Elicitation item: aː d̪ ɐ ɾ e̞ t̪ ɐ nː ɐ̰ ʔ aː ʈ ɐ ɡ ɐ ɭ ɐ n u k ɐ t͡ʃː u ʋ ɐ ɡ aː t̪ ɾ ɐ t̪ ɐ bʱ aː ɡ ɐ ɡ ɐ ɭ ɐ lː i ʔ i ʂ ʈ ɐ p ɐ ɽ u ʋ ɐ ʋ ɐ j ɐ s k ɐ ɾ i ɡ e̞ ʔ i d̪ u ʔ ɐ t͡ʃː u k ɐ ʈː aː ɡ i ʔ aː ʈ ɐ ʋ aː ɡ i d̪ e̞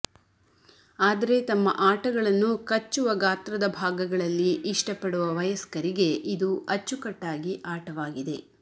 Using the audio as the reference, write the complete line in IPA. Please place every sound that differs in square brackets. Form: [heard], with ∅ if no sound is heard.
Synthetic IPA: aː d̪ ɐ ɾ e̞ t̪ ɐ [mː] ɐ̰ ʔ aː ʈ ɐ ɡ ɐ ɭ ɐ [nː] u k ɐ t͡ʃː u ʋ ɐ ɡ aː t̪ ɾ ɐ [d̪] ɐ bʱ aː ɡ ɐ ɡ ɐ ɭ ɐ lː i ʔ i ʂ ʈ ɐ p ɐ ɽ u ʋ ɐ ʋ ɐ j ɐ s k ɐ ɾ i ɡ e̞ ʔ i d̪ u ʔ ɐ t͡ʃː u k ɐ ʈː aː ɡ i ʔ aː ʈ ɐ ʋ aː ɡ i d̪ e̞